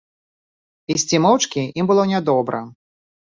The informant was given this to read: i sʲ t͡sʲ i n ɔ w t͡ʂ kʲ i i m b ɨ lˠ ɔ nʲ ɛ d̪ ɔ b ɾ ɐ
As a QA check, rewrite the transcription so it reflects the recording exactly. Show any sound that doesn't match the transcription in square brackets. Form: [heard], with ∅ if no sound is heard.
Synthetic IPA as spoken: i sʲ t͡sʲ i [m] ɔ w t͡ʂ kʲ i i m b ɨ lˠ ɔ nʲ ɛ d̪ ɔ b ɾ ɐ

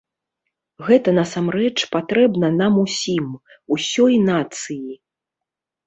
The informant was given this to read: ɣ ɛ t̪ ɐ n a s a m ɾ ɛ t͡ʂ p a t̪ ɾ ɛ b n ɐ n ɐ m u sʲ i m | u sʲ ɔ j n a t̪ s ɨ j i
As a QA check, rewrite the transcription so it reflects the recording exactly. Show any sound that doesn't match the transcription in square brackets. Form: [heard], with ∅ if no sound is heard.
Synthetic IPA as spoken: ɣ ɛ t̪ ɐ n [ɐ] s a m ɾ ɛ t͡ʂ p a t̪ ɾ ɛ b n ɐ n [a] m u sʲ i m | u sʲ ɔ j n a t̪ s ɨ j i

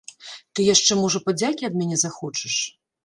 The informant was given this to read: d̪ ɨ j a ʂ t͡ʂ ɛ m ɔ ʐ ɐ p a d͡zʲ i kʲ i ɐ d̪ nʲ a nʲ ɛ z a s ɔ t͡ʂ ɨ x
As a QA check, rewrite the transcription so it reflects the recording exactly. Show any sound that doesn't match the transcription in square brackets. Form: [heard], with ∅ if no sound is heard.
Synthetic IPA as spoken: [t̪] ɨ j a ʂ t͡ʂ ɛ m ɔ ʐ ɐ p a d͡zʲ [a] kʲ i ɐ d̪ [mʲ] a nʲ ɛ z a [x] ɔ t͡ʂ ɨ [ʂ]

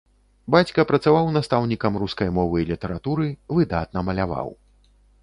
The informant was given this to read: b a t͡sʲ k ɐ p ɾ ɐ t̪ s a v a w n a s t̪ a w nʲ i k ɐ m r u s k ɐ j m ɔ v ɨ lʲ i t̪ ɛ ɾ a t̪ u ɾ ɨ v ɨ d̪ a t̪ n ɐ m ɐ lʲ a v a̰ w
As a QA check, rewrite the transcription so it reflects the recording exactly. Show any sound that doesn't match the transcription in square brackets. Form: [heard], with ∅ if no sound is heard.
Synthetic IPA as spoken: b a t͡sʲ k ɐ p ɾ ɐ t̪ s a v a w n a s t̪ a w nʲ i k ɐ m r u s k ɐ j m ɔ v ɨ lʲ i t̪ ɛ ɾ a t̪ u ɾ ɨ v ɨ d̪ a t̪ n ɐ m ɐ lʲ a v a̰ w

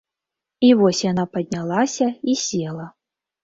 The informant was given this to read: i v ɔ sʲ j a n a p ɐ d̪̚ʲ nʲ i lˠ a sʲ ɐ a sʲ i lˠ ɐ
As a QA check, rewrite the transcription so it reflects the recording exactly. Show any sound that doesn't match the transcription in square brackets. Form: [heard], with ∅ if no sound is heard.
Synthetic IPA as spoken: i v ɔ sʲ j a n a p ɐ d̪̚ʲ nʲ [a] lˠ a sʲ ɐ [i] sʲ [e] lˠ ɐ

